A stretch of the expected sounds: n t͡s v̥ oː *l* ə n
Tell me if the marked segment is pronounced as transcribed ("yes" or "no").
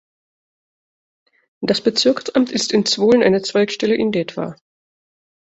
yes